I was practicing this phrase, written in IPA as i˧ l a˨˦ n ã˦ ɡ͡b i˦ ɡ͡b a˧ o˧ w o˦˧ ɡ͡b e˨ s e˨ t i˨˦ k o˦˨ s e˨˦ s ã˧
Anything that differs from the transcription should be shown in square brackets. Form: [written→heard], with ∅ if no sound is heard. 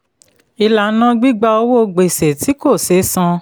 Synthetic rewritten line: i˧ l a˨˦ n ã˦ ɡ͡b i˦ ɡ͡b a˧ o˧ w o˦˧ ɡ͡b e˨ s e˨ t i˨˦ k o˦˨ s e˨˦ s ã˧